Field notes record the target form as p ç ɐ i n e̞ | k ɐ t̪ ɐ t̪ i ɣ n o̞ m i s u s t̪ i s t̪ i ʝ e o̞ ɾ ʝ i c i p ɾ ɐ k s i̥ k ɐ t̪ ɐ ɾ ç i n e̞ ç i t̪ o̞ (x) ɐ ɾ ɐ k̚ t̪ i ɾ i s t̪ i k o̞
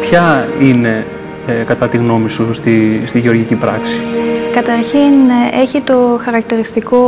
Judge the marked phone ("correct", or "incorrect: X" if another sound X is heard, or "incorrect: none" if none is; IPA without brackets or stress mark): correct